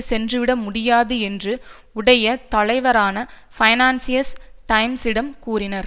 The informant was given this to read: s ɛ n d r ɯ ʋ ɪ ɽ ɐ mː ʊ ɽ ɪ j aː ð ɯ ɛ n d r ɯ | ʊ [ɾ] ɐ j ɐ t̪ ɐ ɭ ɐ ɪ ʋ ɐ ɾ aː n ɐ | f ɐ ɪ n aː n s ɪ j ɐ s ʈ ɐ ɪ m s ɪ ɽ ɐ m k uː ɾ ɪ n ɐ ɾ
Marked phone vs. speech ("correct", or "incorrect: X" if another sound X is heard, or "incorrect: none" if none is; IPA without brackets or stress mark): incorrect: ɽ